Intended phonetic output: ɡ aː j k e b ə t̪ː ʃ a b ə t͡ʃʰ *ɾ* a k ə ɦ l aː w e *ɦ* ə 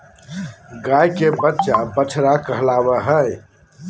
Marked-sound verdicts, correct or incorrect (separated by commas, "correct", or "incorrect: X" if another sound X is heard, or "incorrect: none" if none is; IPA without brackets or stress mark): correct, correct